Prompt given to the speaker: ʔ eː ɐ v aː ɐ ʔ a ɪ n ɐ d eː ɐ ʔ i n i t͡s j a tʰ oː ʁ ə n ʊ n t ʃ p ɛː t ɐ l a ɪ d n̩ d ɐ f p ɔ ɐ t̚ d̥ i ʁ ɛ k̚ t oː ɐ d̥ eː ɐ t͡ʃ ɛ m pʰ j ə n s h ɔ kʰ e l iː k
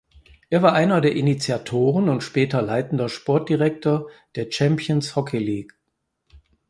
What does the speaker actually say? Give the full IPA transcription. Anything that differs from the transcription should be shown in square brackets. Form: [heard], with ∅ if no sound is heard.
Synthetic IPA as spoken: ʔ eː ɐ v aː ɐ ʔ a ɪ n ɐ d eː ɐ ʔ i n i t͡s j a tʰ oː ʁ ə n ʊ n t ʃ p ɛː t ɐ l a ɪ [t] n̩ d ɐ [ʃ] p ɔ ɐ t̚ d̥ i ʁ ɛ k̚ t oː ɐ d̥ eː ɐ t͡ʃ ɛ m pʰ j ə n s h ɔ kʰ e l iː k